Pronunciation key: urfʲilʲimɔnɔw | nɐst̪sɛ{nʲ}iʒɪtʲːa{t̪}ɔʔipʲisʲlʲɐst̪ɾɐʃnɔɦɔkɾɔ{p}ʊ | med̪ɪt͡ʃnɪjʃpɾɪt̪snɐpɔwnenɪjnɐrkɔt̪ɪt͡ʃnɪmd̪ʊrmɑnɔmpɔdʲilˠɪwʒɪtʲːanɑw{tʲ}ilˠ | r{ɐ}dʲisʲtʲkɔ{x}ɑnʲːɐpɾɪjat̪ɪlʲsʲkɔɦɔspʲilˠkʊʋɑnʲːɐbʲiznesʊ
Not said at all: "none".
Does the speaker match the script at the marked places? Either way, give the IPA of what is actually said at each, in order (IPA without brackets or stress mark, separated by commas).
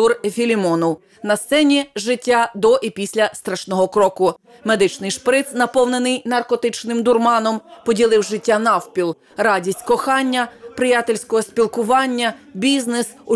nʲ, d̪, k, pʲ, ɑ, x